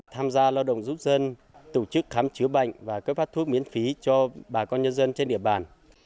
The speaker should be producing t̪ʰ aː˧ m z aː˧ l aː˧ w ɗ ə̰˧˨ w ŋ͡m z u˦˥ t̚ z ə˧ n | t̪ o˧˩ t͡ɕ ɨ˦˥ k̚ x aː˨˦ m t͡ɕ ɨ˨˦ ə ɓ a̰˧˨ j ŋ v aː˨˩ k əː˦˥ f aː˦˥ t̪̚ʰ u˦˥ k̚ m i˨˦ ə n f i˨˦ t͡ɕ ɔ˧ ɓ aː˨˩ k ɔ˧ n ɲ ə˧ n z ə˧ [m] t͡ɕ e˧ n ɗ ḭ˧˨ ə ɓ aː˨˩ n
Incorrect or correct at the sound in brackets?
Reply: incorrect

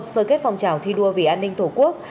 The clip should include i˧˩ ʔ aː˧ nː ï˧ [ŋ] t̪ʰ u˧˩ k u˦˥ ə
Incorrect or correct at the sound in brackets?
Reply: correct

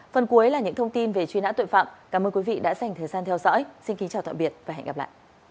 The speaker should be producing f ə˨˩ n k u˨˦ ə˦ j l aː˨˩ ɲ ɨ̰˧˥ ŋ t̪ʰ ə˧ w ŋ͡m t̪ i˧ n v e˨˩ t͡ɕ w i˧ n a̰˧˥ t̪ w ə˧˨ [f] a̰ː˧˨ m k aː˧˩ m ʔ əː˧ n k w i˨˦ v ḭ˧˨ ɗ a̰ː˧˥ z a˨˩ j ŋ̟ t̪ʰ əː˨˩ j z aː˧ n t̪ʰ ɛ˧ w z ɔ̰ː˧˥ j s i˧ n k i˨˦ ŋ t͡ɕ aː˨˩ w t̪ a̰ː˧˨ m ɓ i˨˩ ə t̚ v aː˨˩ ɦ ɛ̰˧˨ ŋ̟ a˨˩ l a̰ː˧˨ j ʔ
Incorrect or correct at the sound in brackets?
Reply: correct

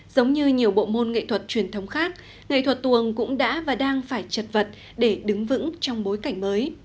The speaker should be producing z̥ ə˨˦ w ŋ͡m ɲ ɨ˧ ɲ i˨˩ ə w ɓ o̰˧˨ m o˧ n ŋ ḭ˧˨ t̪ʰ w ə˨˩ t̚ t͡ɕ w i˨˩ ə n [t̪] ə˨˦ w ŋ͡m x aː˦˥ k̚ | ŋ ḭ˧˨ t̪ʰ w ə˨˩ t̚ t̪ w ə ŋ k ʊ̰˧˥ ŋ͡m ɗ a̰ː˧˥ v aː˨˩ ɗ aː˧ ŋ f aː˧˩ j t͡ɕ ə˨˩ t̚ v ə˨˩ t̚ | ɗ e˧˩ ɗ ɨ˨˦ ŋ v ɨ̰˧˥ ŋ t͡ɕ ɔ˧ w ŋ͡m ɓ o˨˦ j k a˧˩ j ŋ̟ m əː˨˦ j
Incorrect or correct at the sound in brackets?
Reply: incorrect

